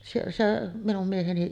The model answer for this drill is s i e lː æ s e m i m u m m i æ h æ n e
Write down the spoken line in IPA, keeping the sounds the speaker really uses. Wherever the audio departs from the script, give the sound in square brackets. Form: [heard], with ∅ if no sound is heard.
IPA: s i e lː æ s e m i [n] u m m i [e] h [e] n [i]